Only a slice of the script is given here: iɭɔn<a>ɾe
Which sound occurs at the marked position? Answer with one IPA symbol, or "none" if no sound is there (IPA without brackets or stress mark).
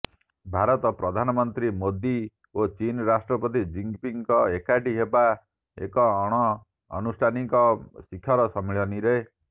i